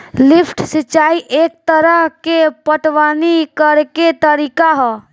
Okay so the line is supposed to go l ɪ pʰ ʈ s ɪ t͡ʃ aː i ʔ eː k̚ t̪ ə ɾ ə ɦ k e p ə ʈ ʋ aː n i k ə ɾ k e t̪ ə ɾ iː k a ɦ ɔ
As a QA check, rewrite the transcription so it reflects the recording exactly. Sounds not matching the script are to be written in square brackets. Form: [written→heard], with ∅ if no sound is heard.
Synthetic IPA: l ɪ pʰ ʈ s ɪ t͡ʃ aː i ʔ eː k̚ t̪ ə ɾ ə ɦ k e p ə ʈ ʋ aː n i k ə ɾ k e t̪ ə ɾ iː k a ɦ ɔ